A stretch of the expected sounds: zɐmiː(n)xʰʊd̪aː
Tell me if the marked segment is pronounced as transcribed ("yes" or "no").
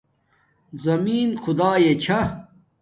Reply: yes